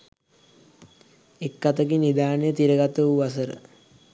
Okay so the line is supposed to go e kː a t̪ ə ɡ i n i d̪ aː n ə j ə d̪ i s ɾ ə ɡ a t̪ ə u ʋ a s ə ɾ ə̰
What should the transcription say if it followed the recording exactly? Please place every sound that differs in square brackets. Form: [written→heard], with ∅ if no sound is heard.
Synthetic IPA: e kː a t̪ ə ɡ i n i d̪ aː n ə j ə [d̪→t̪] i [s→∅] ɾ ə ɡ a t̪ ə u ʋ a s ə ɾ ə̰